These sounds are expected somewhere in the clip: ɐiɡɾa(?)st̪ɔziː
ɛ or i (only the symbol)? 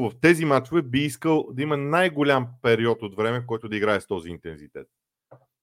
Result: ɛ